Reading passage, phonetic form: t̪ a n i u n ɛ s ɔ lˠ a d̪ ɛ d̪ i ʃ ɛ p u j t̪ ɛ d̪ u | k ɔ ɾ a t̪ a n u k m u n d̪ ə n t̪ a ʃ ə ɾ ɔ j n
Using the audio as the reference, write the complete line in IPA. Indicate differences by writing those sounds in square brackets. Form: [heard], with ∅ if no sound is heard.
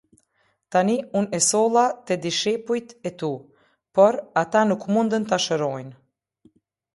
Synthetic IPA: t̪ a n i u n ɛ s ɔ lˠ a [t̪] ɛ d̪ i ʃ ɛ p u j t̪ ɛ [t̪] u | [p] ɔ ɾ a t̪ a n u k m u n d̪ ə n t̪ a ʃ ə ɾ ɔ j n